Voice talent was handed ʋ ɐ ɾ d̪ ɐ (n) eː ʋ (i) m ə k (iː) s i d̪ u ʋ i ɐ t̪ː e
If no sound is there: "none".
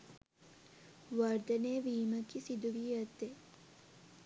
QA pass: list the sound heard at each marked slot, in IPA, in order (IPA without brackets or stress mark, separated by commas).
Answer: n, iː, i